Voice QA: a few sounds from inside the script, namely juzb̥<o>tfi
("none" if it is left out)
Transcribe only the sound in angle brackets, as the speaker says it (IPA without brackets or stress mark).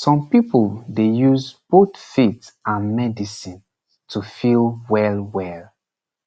o